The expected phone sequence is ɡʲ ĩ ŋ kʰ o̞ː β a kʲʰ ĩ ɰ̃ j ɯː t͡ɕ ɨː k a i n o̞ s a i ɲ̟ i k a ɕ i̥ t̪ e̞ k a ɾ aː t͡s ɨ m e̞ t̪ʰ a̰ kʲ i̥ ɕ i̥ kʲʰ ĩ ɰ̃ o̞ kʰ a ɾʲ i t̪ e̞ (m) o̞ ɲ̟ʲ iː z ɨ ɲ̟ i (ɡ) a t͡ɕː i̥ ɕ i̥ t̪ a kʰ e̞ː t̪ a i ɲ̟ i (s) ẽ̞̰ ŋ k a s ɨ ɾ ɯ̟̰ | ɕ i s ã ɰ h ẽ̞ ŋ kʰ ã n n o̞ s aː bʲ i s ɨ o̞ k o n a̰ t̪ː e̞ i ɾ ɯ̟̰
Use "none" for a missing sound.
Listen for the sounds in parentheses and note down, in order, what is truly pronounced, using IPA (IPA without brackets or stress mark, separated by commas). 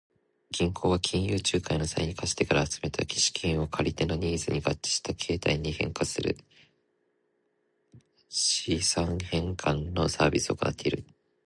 n, ɡ, h